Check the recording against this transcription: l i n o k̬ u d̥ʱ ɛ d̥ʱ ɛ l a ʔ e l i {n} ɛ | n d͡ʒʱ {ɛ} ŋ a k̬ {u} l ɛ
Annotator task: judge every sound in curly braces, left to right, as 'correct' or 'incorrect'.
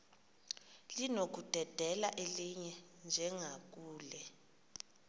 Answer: incorrect: ɲ, correct, incorrect: uː

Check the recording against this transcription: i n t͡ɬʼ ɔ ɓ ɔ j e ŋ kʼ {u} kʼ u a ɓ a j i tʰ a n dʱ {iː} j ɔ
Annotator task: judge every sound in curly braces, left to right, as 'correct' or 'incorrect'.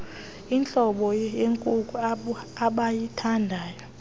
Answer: correct, incorrect: aː

